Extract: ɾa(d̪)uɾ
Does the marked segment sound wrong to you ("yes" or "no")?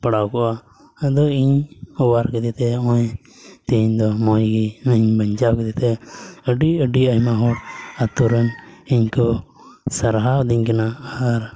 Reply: yes